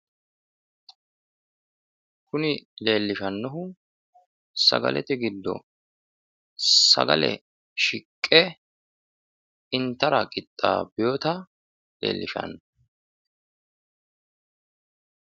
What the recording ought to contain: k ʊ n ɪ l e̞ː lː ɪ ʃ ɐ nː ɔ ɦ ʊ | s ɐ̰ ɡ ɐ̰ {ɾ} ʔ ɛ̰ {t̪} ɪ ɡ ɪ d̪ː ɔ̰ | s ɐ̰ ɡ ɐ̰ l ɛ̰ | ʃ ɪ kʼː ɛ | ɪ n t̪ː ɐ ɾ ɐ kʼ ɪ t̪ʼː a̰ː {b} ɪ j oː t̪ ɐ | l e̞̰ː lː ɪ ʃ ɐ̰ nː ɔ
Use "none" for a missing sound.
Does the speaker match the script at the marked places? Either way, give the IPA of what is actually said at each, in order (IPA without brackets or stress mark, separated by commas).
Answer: l, t̪, b